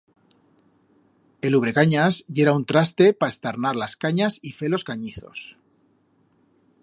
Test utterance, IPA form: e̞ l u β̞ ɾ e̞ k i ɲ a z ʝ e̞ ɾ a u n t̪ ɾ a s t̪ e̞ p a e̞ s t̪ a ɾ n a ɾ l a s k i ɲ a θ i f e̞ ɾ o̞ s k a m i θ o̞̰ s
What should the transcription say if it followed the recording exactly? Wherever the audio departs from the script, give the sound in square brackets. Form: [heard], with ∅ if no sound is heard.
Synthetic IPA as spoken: e̞ l u β̞ ɾ e̞ k [a] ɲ a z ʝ e̞ ɾ a u n t̪ ɾ a s t̪ e̞ p a e̞ s t̪ a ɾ n a ɾ l a s k [a] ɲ a [s] i f e̞ [l] o̞ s k a [ɲ] i θ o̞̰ s

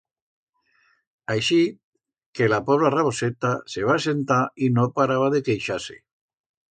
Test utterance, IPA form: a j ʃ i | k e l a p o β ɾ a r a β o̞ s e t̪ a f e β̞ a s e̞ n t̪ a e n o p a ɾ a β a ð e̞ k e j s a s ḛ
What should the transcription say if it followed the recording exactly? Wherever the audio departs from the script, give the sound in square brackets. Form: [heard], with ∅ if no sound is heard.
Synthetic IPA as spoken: a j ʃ i | k e l a p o β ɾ a r a β o̞ s e t̪ a [s] e β̞ a s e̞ n t̪ a [i] n o p a ɾ a β a ð e̞ k e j [ʃ] a s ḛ

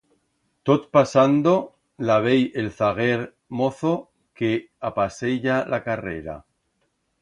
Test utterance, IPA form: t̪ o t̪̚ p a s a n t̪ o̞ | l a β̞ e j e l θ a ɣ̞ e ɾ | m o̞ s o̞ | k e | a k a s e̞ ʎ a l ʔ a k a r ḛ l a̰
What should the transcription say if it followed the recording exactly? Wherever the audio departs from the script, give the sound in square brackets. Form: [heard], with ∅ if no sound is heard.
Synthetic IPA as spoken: t̪ o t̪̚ p a s a n [d̪] o̞ | l a β̞ e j e l θ a ɣ̞ e ɾ | m o̞ [θ] o̞ | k e | a [p] a s e̞ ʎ a l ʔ a k a r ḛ [ɾ] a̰

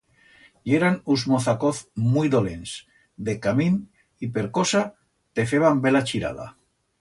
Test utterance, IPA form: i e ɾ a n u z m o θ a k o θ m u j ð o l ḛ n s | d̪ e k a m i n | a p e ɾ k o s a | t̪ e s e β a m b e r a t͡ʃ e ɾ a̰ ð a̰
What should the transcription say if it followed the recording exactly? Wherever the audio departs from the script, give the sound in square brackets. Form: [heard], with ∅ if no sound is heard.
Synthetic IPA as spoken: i e ɾ a n u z m o θ a k o θ m u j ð o l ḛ n s | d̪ e k a m i n | [i] p e ɾ k o s a | t̪ e [f] e β a m b e [l] a t͡ʃ [i] ɾ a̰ ð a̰

